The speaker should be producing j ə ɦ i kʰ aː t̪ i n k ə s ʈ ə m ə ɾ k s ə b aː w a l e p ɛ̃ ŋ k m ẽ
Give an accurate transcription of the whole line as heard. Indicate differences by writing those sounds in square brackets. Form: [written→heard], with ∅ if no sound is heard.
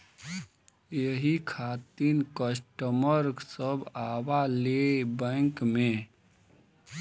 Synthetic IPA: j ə ɦ i kʰ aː t̪ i n k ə s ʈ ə m ə ɾ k s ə b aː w a l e [p→b] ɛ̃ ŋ k m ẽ